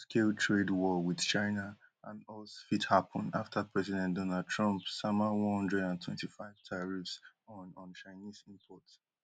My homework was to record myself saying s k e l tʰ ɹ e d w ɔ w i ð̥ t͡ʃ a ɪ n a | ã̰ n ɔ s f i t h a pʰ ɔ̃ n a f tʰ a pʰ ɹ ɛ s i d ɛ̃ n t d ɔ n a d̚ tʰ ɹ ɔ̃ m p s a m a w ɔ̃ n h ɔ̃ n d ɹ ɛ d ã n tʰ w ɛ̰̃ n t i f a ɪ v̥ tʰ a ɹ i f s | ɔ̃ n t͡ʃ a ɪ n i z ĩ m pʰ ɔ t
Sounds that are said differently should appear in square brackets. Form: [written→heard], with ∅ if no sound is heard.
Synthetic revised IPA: s k e l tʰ ɹ e d w ɔ w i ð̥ t͡ʃ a ɪ n a | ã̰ n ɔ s f i t h a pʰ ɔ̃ n a f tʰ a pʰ ɹ ɛ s i d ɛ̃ n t d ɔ n a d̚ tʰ ɹ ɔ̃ m p s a m a w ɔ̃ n h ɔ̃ n d ɹ ɛ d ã n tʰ w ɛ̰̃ n t i f a ɪ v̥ tʰ a ɹ i f s | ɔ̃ n t͡ʃ a ɪ n i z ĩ m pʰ ɔ t